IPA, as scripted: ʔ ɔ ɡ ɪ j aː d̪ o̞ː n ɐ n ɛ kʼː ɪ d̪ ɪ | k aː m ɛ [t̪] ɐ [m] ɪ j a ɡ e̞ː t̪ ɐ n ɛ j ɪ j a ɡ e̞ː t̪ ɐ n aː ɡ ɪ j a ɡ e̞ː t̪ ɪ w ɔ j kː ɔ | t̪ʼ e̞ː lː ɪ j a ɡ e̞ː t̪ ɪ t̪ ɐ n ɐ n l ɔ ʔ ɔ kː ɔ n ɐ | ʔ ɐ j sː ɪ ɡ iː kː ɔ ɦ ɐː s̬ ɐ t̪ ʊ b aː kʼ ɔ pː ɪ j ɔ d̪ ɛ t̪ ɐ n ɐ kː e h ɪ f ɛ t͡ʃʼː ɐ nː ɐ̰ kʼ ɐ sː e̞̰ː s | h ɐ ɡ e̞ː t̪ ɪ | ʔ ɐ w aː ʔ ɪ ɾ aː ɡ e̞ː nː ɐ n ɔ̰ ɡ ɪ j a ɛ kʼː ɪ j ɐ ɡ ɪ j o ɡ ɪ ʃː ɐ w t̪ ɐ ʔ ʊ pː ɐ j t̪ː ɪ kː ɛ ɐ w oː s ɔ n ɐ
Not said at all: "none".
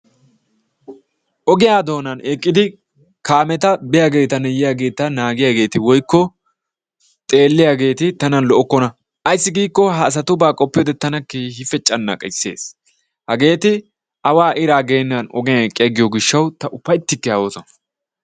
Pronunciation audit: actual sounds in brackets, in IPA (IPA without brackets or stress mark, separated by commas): t̪, b